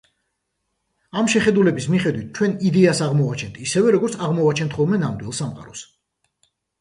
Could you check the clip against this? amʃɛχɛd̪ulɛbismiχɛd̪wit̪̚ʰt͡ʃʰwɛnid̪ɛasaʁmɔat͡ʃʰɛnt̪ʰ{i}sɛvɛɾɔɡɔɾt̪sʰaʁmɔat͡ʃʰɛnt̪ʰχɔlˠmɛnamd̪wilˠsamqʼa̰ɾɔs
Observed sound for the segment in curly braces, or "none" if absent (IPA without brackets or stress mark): i